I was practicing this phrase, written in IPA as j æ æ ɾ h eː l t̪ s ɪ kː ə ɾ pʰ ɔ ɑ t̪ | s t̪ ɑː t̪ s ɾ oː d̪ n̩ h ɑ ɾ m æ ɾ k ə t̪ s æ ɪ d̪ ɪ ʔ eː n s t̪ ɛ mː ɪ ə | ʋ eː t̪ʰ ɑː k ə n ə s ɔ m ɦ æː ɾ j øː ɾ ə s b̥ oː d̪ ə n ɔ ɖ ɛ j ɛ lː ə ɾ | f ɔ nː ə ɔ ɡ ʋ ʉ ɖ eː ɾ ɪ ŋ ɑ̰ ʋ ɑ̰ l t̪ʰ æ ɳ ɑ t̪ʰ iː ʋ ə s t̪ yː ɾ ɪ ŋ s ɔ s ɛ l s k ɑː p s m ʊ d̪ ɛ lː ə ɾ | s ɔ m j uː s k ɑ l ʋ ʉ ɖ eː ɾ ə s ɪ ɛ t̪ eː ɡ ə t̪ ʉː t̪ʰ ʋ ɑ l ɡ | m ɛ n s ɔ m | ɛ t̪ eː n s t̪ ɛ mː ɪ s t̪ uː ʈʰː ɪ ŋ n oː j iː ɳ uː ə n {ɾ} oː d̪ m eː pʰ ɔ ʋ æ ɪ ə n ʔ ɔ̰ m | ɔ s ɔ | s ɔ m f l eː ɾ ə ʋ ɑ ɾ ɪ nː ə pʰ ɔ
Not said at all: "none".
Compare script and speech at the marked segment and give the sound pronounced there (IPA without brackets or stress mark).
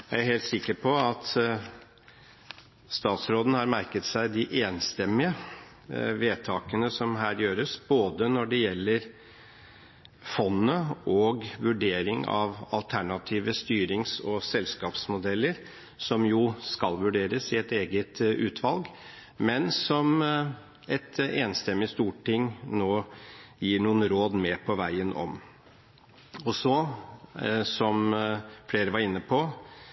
ɾ